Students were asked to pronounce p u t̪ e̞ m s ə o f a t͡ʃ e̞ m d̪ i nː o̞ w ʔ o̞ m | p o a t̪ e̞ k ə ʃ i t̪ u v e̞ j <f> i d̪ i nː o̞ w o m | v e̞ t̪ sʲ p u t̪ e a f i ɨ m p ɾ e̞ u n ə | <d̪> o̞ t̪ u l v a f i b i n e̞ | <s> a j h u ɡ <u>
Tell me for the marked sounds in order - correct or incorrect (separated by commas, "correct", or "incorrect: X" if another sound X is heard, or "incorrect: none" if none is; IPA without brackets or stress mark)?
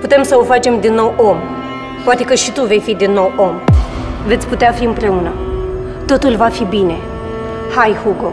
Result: correct, incorrect: t̪, incorrect: h, incorrect: o